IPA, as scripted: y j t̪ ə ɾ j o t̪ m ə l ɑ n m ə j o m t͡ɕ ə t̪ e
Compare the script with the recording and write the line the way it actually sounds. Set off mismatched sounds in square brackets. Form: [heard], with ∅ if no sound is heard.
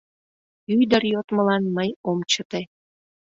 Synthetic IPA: y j [d̪] ə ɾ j o t̪ m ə l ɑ n m ə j o m t͡ɕ ə t̪ e